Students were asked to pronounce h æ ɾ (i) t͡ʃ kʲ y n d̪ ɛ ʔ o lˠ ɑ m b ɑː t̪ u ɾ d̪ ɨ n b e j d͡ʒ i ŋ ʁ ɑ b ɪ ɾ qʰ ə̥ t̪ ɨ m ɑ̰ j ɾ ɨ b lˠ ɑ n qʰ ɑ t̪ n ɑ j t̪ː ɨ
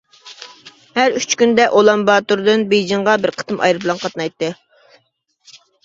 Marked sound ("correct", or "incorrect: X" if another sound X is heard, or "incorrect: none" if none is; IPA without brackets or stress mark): incorrect: y